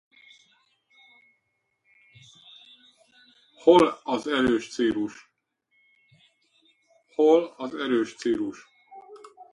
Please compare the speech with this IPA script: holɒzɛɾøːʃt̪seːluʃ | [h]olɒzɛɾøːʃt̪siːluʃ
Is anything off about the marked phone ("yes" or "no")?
no